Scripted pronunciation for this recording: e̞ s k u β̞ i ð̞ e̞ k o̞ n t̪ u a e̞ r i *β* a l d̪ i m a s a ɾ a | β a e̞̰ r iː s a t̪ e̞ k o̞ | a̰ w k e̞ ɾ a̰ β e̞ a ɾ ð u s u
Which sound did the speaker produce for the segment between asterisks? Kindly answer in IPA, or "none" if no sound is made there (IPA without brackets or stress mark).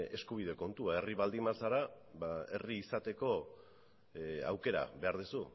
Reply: β